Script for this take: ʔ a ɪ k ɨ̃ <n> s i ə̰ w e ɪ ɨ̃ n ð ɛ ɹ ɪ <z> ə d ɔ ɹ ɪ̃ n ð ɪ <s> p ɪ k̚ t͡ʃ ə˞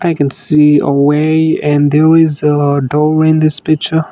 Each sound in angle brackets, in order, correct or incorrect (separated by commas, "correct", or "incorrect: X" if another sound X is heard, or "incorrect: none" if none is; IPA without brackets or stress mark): correct, correct, correct